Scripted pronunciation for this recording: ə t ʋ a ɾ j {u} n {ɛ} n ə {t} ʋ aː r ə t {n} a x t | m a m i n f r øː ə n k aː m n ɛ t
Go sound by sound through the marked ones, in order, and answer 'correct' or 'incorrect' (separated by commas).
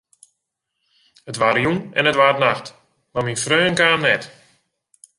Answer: correct, correct, correct, correct